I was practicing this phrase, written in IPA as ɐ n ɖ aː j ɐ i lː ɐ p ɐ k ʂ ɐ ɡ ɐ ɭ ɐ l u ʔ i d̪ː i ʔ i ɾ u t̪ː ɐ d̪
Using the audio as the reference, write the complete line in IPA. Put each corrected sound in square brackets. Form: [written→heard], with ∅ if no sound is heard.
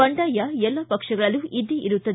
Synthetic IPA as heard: ɐ [n→ɳ] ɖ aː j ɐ [i→ɛ] lː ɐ p ɐ k ʂ ɐ ɡ ɐ ɭ ɐ l u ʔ i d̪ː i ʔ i ɾ u t̪ː ɐ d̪